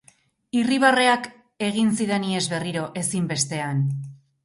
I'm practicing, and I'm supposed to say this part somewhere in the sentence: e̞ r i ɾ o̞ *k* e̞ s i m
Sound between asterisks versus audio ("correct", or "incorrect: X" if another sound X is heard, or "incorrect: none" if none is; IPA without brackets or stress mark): incorrect: ʔ